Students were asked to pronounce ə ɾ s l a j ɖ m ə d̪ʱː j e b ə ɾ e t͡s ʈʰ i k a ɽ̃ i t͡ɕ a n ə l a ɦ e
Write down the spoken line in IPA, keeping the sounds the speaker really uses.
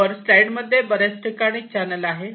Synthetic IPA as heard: ə ɾ s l a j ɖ m ə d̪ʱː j e b ə ɾ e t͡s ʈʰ i k a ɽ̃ i t͡ɕ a n ə l a ɦ e